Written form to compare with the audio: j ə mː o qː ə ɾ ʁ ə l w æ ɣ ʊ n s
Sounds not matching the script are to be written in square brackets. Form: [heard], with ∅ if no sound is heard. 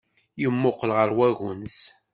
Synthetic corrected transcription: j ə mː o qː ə [l] ʁ ə [ɾ] w æ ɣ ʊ n s